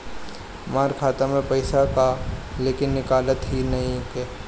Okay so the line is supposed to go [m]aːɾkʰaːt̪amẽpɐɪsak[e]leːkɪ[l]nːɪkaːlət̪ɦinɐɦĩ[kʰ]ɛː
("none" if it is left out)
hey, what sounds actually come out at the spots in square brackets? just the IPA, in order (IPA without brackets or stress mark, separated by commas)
m, a, none, k